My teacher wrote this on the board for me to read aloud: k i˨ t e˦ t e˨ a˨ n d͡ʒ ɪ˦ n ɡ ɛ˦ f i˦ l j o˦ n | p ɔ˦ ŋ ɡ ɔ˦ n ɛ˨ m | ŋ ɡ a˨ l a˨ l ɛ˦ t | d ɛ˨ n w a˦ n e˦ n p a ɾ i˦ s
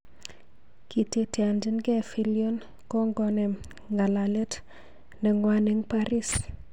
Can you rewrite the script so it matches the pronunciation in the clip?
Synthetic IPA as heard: k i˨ t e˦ t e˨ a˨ n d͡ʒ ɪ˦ n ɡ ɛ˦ f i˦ l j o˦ n | k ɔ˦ ŋ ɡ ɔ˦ n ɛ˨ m | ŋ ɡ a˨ l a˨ l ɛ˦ t | n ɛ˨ ŋ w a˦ n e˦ ŋ p a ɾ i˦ s